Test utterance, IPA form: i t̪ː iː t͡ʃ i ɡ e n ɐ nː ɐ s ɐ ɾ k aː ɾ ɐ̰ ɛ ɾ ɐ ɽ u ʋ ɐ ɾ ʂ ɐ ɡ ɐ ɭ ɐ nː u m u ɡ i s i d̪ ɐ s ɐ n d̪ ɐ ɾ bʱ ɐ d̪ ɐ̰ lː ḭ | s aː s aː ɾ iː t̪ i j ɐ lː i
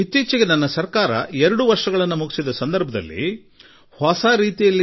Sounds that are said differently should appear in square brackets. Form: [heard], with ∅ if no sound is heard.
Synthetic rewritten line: i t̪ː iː t͡ʃ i ɡ e n ɐ nː ɐ s ɐ ɾ k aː ɾ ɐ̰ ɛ ɾ ɐ ɽ u ʋ ɐ ɾ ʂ ɐ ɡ ɐ ɭ ɐ nː u m u ɡ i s i d̪ ɐ s ɐ n d̪ ɐ ɾ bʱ ɐ d̪ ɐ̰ lː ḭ | [h] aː s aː ɾ iː t̪ i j ɐ lː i